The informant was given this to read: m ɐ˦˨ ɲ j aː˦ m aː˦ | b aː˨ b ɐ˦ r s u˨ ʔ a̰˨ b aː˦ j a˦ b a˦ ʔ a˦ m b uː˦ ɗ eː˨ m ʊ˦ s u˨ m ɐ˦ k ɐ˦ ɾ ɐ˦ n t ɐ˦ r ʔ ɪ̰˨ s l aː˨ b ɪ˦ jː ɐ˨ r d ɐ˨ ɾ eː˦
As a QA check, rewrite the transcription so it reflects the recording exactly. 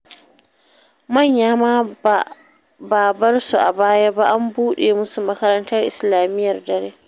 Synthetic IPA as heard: m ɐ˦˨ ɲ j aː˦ m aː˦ | b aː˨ b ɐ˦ r s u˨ ʔ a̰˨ b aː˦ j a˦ b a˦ ʔ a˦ m b uː˦ ɗ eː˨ m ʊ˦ s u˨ m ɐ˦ k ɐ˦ ɾ ɐ˦ n t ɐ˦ r ʔ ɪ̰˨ s l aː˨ m ɪ˦ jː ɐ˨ r d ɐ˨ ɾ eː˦